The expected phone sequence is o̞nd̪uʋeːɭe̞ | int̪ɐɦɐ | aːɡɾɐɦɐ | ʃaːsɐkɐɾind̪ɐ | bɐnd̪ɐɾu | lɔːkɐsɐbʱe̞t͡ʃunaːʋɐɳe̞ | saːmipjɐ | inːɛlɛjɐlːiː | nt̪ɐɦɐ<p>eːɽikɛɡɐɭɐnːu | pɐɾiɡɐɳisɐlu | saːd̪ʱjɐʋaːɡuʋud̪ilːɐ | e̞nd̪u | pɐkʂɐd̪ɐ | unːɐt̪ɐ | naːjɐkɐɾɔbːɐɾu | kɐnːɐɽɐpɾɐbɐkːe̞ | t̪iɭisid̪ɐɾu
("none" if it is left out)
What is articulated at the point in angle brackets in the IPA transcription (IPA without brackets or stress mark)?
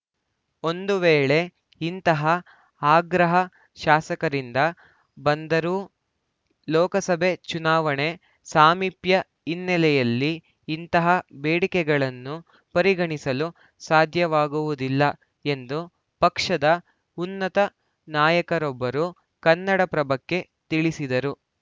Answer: b